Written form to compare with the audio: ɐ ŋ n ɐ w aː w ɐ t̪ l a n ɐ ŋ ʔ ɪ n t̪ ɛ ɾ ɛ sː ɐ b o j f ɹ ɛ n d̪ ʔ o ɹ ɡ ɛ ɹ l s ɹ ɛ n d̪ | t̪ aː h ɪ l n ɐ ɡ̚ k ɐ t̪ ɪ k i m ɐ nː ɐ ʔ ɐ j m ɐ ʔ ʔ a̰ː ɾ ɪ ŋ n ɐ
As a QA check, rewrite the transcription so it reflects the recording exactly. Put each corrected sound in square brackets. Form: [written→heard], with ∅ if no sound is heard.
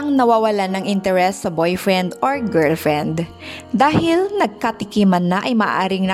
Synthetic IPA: ɐ ŋ n ɐ w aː w ɐ [t̪→∅] l a n ɐ ŋ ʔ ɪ n t̪ ɛ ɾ ɛ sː ɐ b o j f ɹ ɛ n d̪ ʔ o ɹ ɡ ɛ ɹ l [s→f] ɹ ɛ n d̪ | [t̪→d̪] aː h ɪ l n ɐ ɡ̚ k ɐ t̪ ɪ k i m ɐ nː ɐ ʔ ɐ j m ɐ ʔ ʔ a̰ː ɾ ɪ ŋ n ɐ